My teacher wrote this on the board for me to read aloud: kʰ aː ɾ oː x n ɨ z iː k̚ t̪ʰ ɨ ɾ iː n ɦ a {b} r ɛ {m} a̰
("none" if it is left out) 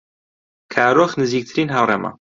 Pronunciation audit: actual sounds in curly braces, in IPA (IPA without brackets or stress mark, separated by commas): w, m